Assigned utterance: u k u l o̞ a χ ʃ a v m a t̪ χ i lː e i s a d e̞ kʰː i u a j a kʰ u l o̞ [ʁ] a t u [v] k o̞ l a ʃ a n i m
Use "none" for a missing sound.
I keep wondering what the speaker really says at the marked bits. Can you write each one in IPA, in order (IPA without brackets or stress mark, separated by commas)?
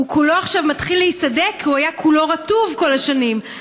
ʁ, v